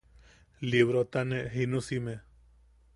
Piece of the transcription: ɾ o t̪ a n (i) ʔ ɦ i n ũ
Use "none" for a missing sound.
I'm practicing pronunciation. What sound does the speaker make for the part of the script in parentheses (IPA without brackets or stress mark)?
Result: e